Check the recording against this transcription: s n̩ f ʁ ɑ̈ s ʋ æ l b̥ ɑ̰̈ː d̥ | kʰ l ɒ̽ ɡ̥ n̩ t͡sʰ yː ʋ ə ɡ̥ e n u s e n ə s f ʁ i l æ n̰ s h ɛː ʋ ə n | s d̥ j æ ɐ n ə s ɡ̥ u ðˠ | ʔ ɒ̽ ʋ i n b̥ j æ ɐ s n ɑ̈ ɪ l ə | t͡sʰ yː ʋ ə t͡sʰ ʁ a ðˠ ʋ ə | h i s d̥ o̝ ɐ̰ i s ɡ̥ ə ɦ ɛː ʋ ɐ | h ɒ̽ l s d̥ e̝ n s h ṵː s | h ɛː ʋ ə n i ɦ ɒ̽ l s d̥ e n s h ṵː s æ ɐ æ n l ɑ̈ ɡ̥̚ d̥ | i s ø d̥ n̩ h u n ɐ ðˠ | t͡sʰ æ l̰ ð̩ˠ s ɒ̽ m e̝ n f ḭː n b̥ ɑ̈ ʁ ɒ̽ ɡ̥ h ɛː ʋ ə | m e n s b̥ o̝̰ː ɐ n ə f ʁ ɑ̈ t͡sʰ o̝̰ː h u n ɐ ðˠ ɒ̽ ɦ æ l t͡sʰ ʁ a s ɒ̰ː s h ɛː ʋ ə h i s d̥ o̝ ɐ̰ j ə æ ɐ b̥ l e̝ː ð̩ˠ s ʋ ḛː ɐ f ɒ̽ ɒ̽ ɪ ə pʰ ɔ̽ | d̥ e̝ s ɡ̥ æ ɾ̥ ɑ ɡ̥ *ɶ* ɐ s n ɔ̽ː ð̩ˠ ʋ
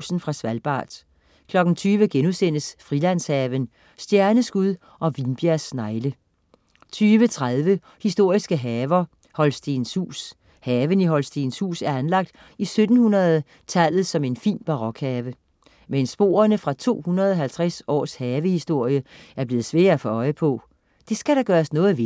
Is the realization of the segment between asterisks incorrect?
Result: yes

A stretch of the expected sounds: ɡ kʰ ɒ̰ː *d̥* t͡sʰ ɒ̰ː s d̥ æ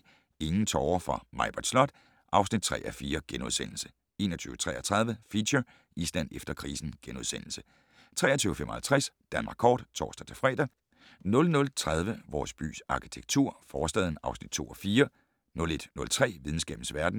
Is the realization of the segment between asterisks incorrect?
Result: no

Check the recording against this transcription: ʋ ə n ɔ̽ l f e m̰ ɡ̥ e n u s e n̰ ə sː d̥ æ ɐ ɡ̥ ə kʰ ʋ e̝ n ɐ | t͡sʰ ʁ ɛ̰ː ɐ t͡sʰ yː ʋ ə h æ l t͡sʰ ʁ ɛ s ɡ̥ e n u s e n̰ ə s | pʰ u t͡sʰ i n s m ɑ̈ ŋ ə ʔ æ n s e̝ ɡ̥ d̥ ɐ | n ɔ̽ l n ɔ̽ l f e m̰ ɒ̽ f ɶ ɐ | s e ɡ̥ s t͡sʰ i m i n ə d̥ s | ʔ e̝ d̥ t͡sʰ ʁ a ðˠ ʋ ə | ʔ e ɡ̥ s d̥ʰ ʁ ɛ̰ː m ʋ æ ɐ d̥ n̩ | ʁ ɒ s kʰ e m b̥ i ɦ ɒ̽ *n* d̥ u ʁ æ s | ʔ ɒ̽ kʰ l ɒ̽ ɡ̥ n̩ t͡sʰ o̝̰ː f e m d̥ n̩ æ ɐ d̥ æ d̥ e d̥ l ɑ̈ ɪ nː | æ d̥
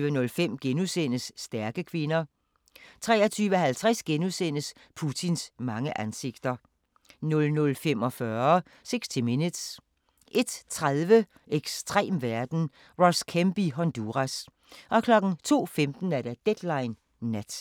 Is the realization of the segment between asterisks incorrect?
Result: no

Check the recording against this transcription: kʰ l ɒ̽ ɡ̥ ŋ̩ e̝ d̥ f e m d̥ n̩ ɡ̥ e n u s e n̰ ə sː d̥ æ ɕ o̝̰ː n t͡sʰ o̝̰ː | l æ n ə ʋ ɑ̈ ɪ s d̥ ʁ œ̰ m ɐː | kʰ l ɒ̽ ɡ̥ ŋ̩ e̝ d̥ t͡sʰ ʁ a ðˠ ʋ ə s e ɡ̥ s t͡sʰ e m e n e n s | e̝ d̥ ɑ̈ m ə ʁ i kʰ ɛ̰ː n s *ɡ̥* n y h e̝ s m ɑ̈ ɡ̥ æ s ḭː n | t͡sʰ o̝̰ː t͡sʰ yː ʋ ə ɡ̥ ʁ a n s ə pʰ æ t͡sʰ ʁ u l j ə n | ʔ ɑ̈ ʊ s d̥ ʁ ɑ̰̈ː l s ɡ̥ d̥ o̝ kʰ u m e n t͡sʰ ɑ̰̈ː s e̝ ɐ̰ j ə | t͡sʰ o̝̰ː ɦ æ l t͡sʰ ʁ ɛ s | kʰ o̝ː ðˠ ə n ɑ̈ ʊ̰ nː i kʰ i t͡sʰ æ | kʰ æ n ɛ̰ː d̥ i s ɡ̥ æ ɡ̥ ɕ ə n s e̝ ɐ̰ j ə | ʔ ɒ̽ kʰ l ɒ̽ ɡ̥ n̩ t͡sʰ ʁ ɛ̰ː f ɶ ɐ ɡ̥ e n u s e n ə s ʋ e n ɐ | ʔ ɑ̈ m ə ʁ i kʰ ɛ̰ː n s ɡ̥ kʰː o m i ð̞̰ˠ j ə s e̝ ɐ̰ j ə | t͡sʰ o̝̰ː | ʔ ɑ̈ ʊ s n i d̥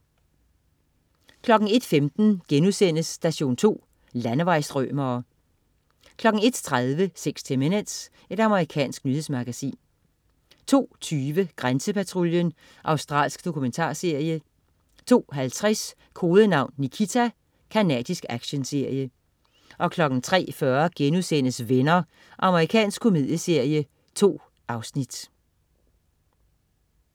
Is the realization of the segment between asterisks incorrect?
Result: no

